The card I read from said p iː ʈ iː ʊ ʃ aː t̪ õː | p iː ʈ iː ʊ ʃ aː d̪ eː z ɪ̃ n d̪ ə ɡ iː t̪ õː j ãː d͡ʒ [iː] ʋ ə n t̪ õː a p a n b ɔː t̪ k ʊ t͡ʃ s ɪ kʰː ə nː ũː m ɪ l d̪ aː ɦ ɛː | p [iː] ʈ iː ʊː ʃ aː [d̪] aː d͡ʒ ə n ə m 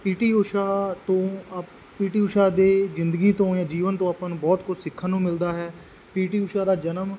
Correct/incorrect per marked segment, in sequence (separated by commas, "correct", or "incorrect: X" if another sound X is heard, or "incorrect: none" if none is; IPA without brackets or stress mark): correct, correct, correct